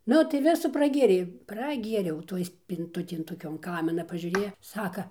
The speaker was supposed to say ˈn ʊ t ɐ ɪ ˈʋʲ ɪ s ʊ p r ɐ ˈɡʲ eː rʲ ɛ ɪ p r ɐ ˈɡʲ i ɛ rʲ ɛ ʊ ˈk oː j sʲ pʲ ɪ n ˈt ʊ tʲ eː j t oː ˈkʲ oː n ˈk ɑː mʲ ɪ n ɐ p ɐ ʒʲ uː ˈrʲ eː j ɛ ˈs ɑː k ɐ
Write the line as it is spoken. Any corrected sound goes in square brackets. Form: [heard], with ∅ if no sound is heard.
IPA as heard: ˈn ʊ t ɐ ɪ ˈʋʲ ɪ s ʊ p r ɐ ˈɡʲ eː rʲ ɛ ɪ p r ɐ ˈɡʲ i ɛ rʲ ɛ ʊ [ˈt] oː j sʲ pʲ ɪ n ˈt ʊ tʲ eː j t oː ˈkʲ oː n ˈk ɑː mʲ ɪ n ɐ p ɐ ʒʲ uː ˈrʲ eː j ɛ ˈs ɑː k ɐ